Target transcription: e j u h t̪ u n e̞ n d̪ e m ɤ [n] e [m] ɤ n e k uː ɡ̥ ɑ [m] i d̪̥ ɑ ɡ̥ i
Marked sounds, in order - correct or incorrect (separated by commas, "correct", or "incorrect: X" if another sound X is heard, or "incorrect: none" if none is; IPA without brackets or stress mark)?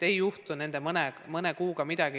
correct, correct, correct